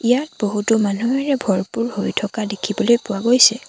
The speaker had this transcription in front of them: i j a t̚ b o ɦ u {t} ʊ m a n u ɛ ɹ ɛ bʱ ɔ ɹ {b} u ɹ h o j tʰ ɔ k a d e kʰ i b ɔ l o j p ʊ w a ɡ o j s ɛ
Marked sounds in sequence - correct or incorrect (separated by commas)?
correct, incorrect